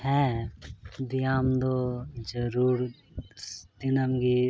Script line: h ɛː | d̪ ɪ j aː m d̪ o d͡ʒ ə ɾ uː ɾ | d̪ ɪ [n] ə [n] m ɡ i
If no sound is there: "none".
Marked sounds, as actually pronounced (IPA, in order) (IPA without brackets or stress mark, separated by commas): n, none